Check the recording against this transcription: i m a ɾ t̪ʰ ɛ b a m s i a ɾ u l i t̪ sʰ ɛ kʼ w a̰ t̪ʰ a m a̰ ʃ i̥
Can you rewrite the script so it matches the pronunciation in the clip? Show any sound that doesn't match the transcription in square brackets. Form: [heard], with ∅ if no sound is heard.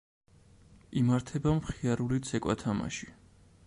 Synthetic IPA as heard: i m a ɾ t̪ʰ ɛ b a m [χ] i a ɾ u l i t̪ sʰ ɛ kʼ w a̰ t̪ʰ a m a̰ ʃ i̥

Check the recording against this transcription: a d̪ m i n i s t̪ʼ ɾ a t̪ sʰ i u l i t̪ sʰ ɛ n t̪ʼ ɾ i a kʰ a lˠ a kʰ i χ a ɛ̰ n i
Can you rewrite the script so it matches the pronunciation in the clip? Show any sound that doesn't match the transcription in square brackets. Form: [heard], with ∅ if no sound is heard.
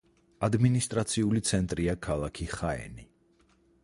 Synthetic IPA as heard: a d̪ m i n i s t̪ʼ ɾ a t̪ sʰ i u l i t̪ sʰ ɛ n t̪ʼ ɾ i a kʰ a lˠ a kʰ i χ a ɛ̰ n i

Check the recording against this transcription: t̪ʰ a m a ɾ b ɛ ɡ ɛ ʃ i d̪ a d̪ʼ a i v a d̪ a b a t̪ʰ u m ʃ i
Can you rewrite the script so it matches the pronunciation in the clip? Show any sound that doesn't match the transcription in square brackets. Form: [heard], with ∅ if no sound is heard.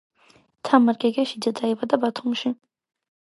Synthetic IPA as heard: t̪ʰ a m a ɾ [ɡ] ɛ ɡ ɛ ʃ i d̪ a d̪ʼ a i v a d̪ a b a t̪ʰ u m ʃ i

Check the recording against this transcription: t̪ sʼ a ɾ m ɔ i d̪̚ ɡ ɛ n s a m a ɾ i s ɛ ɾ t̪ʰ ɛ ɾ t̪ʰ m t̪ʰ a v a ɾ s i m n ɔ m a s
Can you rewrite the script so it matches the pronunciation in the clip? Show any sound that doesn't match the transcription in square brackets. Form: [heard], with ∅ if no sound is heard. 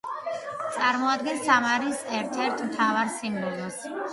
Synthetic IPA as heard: t̪ sʼ a ɾ m ɔ [a] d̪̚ ɡ ɛ n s a m a ɾ i s ɛ ɾ t̪ʰ ɛ ɾ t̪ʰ m t̪ʰ a v a ɾ s i m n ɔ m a s

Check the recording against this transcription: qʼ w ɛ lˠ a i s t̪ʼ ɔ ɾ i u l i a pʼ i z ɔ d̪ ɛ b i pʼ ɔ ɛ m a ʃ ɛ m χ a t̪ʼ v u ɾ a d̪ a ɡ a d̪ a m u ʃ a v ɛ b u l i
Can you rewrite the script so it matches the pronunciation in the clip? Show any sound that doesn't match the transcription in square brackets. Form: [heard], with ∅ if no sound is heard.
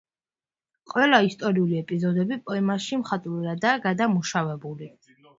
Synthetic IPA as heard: qʼ w ɛ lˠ a i s t̪ʼ ɔ ɾ i u l i [ɛ] pʼ i z ɔ d̪ ɛ b i pʼ ɔ ɛ m a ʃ [i] m χ a t̪ʼ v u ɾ a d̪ a ɡ a d̪ a m u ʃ a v ɛ b u l i

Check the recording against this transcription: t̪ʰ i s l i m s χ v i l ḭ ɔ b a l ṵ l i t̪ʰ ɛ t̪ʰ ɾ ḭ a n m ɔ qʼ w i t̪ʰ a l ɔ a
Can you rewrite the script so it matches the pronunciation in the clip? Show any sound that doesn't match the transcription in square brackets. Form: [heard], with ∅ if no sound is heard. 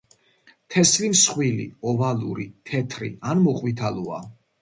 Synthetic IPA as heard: t̪ʰ [ɛ] s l i m s χ [w] i l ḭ ɔ [v] a l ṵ [ɾ] i t̪ʰ ɛ t̪ʰ ɾ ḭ a n m ɔ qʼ w i t̪ʰ a l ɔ a

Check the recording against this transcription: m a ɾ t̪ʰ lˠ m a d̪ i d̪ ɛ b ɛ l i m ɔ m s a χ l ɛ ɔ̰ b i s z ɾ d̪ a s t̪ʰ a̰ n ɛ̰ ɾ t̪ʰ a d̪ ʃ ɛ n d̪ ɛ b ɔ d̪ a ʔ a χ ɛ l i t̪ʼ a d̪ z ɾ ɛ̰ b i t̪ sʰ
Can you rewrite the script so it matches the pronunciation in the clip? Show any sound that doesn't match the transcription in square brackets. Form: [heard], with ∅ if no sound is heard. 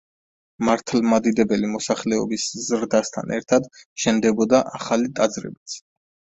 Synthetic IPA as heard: m a ɾ t̪ʰ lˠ m a d̪ i d̪ ɛ b ɛ l i m ɔ [∅] s a χ l ɛ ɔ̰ b i s z ɾ d̪ a s t̪ʰ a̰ n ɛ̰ ɾ t̪ʰ a d̪ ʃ ɛ n d̪ ɛ b ɔ d̪ a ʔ a χ [a] l i t̪ʼ a d̪ z ɾ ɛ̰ b i t̪ sʰ

